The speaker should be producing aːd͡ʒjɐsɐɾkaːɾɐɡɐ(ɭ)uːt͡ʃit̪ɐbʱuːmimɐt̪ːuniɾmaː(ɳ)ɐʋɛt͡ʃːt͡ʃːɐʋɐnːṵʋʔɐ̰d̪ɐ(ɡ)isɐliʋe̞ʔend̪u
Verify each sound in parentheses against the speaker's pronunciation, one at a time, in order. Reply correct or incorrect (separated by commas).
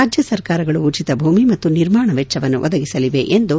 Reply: correct, correct, correct